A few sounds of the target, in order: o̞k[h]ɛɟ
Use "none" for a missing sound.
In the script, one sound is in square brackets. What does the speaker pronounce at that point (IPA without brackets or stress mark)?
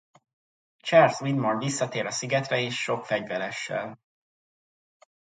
f